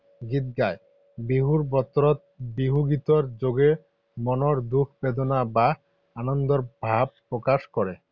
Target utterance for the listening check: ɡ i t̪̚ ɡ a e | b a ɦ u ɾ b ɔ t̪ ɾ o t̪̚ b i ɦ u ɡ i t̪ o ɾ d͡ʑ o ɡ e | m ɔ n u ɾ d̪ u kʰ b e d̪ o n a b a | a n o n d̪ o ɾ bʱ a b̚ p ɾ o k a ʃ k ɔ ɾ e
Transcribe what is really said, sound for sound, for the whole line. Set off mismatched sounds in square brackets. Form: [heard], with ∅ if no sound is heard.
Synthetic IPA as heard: ɡ i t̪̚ ɡ a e | b [i] ɦ u ɾ b ɔ t̪ ɾ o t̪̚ b i ɦ u ɡ i t̪ o ɾ d͡ʑ o ɡ e | m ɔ n [o] ɾ d̪ u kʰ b e d̪ o n a b a | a n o n d̪ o ɾ bʱ a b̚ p ɾ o k a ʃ k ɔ ɾ e